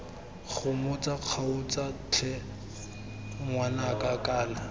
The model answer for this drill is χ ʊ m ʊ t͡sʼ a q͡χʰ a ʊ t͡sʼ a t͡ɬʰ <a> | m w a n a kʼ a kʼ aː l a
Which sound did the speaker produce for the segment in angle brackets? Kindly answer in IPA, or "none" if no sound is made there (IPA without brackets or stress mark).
ɛ